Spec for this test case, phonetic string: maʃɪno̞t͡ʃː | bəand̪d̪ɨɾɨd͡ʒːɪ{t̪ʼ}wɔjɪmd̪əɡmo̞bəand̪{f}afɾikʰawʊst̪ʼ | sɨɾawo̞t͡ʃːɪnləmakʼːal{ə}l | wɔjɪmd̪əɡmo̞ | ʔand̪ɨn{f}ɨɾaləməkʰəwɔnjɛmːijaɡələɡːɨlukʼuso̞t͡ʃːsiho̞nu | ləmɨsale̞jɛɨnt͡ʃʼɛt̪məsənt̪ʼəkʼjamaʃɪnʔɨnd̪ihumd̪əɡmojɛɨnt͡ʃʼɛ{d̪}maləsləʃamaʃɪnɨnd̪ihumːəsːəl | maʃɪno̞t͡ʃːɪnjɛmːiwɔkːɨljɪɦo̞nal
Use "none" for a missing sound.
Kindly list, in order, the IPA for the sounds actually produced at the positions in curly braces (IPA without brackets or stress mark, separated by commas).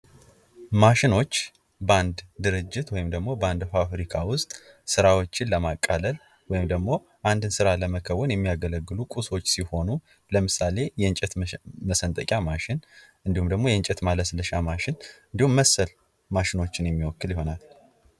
t̪, f, ə, s, t̪